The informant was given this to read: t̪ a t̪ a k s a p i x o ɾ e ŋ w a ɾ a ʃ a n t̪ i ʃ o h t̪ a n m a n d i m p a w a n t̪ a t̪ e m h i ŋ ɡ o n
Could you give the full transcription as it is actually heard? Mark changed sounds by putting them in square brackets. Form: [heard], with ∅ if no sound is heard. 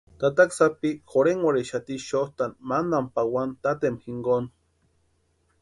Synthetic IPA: t̪ a t̪ a k s a p i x o ɾ e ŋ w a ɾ [e] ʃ a [∅] t̪ i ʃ o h t̪ a n m a n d [a] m p a w a n t̪ a t̪ e m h i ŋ ɡ o n